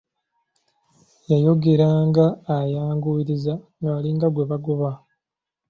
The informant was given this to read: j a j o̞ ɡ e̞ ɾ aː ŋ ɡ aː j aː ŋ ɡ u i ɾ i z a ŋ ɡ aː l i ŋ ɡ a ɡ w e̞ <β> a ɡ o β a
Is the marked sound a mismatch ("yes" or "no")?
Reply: no